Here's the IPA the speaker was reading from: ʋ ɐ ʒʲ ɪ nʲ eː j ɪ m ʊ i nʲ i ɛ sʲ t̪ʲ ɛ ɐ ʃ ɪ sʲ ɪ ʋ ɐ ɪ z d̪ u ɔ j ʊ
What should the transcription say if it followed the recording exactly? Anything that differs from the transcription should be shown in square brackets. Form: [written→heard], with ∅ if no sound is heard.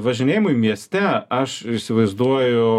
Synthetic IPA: ʋ ɐ ʒʲ ɪ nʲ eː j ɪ m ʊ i [nʲ→mʲ] i ɛ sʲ t̪ʲ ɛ ɐ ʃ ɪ sʲ ɪ ʋ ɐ ɪ z d̪ u ɔ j ʊ

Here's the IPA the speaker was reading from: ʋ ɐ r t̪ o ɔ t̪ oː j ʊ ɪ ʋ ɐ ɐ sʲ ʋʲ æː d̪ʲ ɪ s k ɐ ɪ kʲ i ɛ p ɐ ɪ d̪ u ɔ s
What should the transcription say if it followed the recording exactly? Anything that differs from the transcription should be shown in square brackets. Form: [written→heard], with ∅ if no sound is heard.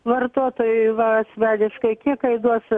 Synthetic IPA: ʋ ɐ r t̪ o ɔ t̪ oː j ʊ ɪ ʋ ɐ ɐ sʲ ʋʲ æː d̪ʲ ɪ [s→ʃ] k ɐ ɪ kʲ i ɛ [p→k] ɐ ɪ d̪ u ɔ s

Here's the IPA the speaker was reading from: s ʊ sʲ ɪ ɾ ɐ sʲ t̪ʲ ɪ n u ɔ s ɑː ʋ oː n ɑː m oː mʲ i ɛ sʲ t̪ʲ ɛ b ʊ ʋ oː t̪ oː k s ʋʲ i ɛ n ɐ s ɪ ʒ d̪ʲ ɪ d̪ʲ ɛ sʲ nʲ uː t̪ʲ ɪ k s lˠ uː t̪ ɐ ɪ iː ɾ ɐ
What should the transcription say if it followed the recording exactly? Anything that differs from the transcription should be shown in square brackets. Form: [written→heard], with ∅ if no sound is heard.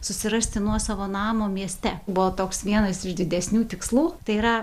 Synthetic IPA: s ʊ sʲ ɪ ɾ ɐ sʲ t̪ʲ ɪ n u ɔ s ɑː ʋ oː n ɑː m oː mʲ i ɛ sʲ t̪ʲ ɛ b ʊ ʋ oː t̪ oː k s ʋʲ i ɛ n ɐ s ɪ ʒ d̪ʲ ɪ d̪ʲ ɛ sʲ nʲ uː t̪ʲ ɪ k s lˠ uː t̪ ɐ ɪ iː ɾ ɐ

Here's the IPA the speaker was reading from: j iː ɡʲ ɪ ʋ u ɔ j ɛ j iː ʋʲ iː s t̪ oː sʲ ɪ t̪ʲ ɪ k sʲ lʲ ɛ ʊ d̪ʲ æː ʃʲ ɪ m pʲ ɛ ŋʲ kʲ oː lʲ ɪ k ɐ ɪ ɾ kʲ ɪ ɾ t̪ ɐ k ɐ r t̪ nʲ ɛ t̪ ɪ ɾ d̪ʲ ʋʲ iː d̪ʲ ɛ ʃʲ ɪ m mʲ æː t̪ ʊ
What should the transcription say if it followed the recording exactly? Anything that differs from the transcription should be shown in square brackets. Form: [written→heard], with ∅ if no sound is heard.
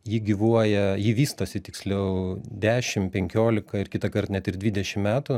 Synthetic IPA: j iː ɡʲ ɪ ʋ u ɔ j ɛ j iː ʋʲ iː s t̪ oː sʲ ɪ t̪ʲ ɪ k sʲ lʲ ɛ ʊ d̪ʲ æː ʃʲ ɪ m pʲ ɛ ŋʲ kʲ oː lʲ ɪ k ɐ ɪ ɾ kʲ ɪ [ɾ→∅] t̪ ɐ k ɐ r t̪ nʲ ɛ t̪ ɪ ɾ d̪ʲ ʋʲ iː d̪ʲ ɛ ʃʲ ɪ m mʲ æː t̪ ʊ

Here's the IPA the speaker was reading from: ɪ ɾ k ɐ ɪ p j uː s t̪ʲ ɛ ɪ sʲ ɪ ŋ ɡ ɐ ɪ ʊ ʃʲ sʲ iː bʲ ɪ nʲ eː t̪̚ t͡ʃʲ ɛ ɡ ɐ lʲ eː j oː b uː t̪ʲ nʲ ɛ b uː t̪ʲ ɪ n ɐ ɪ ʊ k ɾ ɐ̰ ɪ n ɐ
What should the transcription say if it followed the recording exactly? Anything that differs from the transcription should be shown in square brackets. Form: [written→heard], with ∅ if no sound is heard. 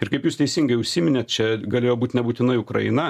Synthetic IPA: ɪ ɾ k ɐ ɪ p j uː s t̪ʲ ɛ ɪ sʲ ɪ ŋ ɡ ɐ ɪ ʊ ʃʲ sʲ iː [bʲ→mʲ] ɪ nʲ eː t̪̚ t͡ʃʲ ɛ ɡ ɐ lʲ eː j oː b uː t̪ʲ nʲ ɛ b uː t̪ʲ ɪ n ɐ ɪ ʊ k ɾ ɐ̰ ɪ n ɐ

